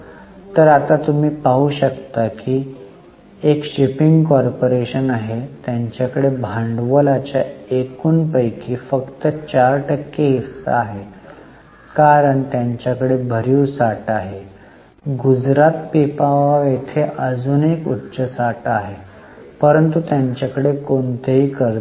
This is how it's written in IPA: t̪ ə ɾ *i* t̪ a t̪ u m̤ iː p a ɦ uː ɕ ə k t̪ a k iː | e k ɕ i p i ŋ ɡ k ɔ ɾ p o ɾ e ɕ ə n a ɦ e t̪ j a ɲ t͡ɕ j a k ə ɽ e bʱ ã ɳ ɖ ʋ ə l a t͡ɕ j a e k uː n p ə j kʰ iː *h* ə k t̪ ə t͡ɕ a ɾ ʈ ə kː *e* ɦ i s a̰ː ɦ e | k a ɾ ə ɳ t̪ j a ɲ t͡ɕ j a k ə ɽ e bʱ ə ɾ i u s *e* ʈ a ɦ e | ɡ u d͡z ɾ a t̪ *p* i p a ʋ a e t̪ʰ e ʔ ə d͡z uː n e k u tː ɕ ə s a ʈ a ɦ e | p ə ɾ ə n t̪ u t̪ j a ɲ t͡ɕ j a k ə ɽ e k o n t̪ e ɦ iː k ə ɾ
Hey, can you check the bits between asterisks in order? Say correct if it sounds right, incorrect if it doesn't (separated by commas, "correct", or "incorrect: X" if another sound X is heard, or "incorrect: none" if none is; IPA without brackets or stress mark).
incorrect: a, incorrect: f, correct, incorrect: a, correct